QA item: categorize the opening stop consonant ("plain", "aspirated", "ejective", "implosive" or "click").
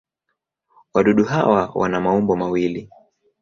implosive